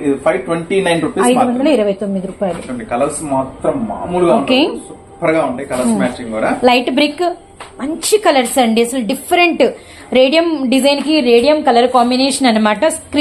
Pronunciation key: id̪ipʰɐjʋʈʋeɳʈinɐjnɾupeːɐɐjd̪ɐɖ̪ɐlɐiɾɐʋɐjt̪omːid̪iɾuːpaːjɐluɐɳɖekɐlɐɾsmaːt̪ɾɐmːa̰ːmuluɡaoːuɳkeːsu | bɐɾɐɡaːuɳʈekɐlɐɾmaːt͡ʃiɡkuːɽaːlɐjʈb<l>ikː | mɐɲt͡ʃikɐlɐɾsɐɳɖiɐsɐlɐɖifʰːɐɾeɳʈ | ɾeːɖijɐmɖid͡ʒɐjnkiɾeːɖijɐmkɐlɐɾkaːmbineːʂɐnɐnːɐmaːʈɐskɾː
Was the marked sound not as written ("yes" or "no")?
yes